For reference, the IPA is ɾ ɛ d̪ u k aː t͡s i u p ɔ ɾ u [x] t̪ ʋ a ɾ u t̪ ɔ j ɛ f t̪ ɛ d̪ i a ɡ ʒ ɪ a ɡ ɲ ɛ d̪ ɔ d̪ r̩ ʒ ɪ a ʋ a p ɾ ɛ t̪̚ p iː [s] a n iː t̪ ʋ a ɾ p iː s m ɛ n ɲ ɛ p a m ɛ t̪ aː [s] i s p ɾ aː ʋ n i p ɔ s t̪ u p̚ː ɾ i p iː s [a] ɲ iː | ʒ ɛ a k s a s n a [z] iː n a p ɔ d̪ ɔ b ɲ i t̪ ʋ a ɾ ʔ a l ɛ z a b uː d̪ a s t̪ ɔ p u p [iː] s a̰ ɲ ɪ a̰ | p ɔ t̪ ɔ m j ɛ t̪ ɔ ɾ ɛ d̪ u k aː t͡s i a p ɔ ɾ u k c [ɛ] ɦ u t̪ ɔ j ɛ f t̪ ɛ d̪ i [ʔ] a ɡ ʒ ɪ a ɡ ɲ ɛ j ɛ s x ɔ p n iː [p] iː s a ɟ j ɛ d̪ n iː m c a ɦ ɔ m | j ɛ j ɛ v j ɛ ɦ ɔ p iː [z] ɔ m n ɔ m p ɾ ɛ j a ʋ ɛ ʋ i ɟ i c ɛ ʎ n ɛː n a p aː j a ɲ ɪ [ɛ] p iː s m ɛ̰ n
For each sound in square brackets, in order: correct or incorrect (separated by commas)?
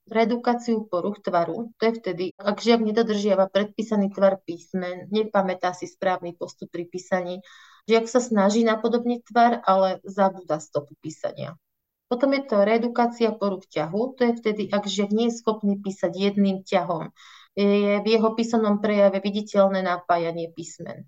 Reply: correct, correct, correct, correct, incorrect, correct, incorrect, correct, correct, incorrect, correct